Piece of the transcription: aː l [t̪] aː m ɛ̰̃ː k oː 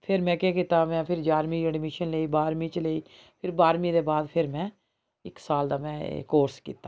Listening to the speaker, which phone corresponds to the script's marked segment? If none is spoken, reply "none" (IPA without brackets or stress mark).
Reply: d̪